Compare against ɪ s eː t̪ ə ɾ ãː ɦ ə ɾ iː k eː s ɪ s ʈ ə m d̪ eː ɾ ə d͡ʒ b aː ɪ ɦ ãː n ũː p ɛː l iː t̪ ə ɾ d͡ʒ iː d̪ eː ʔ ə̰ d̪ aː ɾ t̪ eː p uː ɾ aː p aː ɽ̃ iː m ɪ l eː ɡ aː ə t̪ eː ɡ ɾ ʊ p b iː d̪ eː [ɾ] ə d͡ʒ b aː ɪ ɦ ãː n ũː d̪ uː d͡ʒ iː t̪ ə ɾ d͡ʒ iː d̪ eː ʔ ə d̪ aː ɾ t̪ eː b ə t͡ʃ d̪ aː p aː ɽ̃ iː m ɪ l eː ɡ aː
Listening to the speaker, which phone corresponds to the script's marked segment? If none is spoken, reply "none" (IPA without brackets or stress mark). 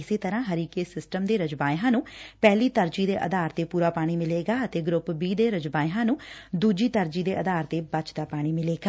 ɾ